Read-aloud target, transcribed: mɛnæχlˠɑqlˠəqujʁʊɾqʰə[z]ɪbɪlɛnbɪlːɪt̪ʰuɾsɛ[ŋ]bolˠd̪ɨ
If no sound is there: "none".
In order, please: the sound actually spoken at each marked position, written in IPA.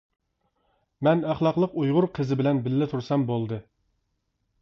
z, m

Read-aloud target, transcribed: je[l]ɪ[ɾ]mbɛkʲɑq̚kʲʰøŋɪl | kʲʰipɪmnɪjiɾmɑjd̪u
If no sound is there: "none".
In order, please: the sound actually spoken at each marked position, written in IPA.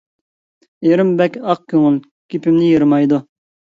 ɾ, none

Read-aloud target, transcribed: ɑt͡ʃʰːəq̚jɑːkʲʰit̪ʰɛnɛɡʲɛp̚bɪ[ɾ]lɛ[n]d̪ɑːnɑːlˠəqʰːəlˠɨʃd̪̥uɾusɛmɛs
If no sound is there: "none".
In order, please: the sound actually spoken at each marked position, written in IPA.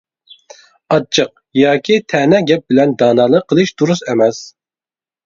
none, n

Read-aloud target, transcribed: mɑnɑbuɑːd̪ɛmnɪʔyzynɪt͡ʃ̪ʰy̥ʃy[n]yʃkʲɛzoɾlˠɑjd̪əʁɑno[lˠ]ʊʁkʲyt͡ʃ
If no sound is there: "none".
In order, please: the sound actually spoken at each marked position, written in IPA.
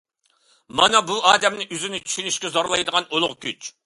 n, lˠ

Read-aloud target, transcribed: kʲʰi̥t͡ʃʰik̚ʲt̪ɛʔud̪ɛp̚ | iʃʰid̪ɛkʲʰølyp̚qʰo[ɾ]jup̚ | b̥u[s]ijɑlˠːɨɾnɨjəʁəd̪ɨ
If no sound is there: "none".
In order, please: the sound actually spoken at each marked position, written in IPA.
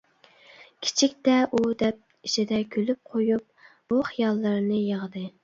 none, χ

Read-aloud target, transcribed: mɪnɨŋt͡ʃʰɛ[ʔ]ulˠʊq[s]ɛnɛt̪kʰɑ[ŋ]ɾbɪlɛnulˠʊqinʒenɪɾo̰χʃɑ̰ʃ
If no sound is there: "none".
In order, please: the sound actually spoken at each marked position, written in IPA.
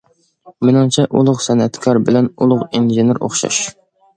ʔ, s, none

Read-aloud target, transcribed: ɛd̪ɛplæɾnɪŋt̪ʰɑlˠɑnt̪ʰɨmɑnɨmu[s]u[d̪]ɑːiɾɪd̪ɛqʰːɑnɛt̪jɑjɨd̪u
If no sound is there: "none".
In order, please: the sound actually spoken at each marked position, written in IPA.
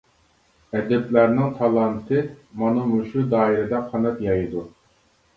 ʃ, d̪

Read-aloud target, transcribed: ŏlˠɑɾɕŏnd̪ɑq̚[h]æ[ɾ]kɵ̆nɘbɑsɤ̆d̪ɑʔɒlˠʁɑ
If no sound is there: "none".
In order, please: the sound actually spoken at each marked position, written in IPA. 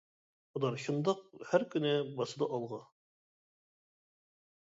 h, ɾ

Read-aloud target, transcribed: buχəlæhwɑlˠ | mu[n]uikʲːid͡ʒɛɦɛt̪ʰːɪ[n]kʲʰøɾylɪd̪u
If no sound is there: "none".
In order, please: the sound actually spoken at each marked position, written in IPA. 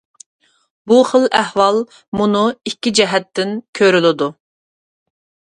n, n

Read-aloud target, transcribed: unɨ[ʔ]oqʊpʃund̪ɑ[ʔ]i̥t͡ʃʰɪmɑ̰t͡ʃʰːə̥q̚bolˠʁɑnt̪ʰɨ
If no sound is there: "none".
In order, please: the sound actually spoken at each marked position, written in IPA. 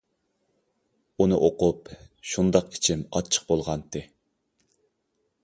ʔ, q

